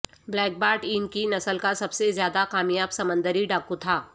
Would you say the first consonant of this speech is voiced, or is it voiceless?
voiced